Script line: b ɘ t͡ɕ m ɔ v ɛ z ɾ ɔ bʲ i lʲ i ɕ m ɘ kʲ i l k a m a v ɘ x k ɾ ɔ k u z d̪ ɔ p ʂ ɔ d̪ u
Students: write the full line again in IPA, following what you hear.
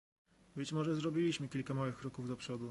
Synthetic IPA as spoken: b ɘ t͡ɕ m ɔ ʐ ɛ z ɾ ɔ bʲ i lʲ i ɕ m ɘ kʲ i l k a m a w ɘ x k ɾ ɔ k u v d̪ ɔ p ʂ ɔ d̪ u